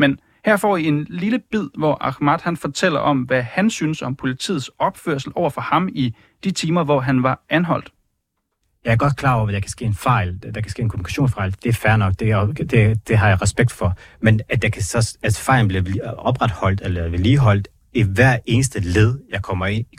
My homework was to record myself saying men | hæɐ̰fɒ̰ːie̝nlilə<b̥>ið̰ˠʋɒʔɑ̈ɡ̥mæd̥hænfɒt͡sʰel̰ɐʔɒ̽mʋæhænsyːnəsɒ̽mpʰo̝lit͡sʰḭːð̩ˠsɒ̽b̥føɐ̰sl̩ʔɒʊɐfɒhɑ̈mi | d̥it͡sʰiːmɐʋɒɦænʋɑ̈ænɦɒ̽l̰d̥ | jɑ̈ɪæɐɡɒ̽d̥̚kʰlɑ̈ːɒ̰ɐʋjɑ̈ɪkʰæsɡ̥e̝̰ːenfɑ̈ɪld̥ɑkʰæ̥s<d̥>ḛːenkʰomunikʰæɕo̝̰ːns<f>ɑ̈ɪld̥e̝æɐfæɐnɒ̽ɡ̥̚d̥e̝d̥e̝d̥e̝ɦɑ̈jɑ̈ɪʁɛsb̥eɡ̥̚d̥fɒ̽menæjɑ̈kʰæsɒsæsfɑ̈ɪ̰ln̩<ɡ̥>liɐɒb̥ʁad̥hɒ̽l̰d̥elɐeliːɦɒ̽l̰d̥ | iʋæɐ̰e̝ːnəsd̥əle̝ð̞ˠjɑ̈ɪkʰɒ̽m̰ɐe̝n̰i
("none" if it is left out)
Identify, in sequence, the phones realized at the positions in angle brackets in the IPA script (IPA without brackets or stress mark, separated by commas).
b̥, ɡ̥, f, b̥